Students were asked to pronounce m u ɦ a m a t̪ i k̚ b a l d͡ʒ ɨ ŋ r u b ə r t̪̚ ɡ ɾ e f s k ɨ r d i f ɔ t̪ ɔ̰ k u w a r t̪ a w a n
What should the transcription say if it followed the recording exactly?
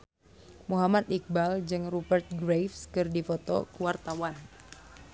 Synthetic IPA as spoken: m u ɦ a m a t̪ i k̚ b a l d͡ʒ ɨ ŋ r u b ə r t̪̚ ɡ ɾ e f s k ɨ r d i f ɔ t̪ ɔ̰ k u w a r t̪ a w a n